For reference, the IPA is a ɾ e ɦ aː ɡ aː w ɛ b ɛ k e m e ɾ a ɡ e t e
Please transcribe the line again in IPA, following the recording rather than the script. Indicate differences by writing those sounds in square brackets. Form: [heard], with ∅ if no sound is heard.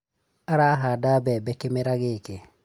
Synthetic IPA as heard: a ɾ [a] ɦ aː [d] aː [b] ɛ b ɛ k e m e ɾ a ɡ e [k] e